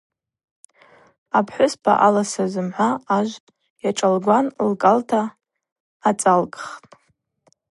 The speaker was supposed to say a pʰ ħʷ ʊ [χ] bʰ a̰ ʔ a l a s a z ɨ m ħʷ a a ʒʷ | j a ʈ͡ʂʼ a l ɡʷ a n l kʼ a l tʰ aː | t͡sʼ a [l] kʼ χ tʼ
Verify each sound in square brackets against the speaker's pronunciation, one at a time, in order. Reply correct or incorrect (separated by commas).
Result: incorrect, correct